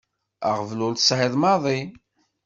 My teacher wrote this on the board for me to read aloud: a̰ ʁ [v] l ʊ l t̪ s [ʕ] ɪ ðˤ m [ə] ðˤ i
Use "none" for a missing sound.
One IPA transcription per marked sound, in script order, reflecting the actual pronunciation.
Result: v, ʕ, ɑ

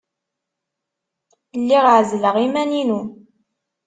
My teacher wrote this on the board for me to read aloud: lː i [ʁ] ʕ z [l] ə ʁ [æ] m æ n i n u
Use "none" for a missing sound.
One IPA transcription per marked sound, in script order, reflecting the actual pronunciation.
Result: ʁ, l, i

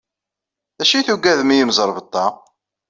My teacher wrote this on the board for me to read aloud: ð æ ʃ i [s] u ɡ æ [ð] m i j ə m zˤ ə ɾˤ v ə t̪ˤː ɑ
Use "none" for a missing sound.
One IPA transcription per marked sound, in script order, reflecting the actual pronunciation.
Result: θ, ð

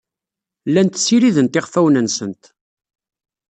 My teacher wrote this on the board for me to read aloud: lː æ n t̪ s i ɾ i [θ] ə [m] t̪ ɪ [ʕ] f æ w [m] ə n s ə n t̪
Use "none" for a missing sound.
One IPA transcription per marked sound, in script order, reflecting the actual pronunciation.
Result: ð, n, ʁ, n

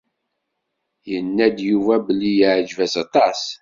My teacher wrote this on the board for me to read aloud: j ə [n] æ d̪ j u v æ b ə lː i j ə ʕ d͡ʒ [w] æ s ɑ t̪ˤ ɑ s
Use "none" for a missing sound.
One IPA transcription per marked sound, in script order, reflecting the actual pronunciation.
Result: nː, v

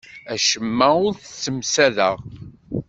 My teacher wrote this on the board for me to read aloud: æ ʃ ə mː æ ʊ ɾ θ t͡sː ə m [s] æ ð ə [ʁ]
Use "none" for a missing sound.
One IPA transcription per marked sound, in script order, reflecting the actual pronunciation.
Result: s, ʁ

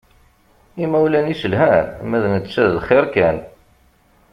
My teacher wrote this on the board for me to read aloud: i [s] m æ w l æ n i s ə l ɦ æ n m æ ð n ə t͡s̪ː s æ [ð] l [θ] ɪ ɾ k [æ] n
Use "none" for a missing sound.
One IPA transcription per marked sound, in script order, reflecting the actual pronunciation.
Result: none, ð, χ, æ

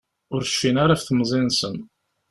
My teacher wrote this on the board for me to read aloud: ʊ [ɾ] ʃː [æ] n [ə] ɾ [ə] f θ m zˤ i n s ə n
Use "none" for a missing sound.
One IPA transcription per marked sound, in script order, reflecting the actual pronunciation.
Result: ɾ, i, a, a

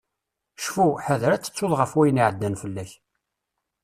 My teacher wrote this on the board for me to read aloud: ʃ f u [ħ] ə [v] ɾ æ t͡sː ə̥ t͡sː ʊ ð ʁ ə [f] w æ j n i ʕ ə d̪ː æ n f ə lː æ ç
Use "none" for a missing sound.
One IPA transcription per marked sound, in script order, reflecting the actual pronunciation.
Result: ħ, ð, f

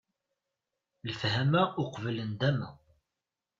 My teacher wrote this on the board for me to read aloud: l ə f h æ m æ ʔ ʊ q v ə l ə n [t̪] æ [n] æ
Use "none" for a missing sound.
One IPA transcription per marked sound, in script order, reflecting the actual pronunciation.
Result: d̪, m

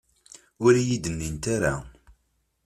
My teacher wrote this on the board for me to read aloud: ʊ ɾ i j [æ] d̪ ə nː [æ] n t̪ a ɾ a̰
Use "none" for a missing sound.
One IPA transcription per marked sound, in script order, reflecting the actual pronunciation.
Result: i, i

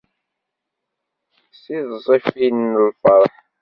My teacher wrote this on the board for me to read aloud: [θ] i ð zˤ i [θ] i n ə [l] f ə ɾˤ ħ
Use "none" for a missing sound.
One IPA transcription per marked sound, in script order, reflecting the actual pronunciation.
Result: s, f, l

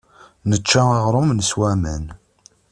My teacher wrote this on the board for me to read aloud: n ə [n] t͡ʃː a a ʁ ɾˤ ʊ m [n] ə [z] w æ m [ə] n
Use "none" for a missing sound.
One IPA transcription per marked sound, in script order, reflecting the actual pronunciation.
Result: none, n, s, ə

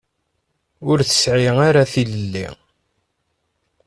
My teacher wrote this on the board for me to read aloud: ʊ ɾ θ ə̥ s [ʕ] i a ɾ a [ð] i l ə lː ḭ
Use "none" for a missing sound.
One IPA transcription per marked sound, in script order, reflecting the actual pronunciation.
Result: ʕ, θ

